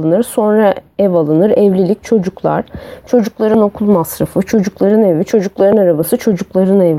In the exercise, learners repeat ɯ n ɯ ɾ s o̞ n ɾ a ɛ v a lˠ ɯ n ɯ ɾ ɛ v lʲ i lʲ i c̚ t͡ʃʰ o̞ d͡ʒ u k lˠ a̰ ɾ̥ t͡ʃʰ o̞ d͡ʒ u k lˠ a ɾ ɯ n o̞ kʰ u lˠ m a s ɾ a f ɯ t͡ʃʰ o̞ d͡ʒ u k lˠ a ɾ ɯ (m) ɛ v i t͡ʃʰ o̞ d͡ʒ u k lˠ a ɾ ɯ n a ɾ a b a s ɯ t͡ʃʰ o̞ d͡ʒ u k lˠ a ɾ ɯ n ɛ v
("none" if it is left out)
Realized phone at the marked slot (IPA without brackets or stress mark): n